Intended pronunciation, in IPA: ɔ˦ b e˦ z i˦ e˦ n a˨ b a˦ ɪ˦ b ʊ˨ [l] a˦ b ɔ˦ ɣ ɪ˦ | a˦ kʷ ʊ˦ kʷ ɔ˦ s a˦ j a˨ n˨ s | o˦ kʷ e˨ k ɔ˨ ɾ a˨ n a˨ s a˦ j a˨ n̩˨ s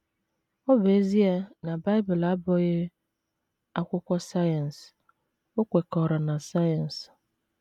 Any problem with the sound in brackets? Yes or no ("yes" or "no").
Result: no